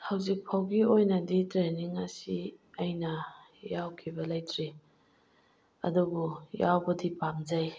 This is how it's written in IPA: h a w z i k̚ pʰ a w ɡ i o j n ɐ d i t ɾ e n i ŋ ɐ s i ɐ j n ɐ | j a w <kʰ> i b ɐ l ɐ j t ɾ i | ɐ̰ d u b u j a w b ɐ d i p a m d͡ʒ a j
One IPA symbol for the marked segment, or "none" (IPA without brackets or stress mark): kʰ